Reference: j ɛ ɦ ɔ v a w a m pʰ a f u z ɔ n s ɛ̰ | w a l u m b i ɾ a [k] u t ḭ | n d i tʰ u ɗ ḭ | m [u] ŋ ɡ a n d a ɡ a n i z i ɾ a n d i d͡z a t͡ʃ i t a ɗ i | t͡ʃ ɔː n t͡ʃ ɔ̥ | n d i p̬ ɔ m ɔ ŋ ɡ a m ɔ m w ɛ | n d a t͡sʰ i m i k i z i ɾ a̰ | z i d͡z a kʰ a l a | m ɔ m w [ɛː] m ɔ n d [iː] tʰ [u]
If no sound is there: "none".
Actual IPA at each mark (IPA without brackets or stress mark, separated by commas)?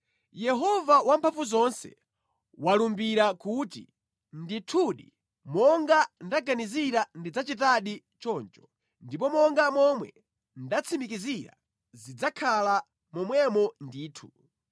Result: k, ɔ, ɛ, iː, u